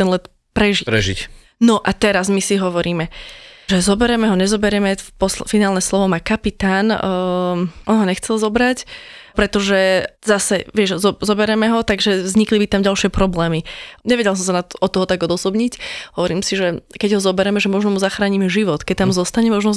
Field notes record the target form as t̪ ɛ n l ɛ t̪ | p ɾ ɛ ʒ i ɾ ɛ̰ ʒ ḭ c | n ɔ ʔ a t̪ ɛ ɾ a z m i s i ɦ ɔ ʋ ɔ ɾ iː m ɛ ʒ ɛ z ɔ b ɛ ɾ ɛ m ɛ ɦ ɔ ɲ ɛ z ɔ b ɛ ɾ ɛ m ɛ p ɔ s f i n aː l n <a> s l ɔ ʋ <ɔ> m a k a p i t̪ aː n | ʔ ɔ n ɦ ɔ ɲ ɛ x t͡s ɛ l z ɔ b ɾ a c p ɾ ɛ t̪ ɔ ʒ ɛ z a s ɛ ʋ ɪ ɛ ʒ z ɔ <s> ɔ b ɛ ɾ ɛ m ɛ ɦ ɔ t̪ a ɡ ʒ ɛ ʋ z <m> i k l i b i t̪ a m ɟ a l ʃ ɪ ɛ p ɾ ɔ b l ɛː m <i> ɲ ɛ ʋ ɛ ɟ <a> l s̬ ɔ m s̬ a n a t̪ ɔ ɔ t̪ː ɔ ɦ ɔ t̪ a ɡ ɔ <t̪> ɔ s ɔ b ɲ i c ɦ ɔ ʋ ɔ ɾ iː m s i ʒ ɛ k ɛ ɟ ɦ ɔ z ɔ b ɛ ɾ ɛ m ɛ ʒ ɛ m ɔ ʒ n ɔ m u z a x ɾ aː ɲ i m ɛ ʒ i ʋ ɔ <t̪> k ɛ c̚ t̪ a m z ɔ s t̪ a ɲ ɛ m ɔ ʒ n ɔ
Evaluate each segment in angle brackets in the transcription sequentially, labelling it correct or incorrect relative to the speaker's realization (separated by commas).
incorrect, correct, incorrect, incorrect, correct, incorrect, incorrect, correct